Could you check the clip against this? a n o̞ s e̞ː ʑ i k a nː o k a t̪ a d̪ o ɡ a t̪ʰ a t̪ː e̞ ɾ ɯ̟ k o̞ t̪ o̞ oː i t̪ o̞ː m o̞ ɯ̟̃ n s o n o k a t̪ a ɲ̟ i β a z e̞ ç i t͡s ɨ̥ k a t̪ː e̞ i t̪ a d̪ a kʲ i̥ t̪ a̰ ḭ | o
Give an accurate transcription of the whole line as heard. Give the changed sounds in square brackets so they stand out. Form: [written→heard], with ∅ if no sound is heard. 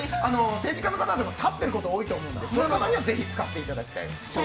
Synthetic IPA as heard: a n o̞ s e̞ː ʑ i k a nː o k a t̪ a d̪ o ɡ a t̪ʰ a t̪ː e̞ ɾ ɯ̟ k o̞ t̪ o̞ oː i t̪ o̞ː m o̞ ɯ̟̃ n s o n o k a t̪ a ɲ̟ i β a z e̞ ç i t͡s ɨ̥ k a t̪ː e̞ i t̪ a d̪ a kʲ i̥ t̪ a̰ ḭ | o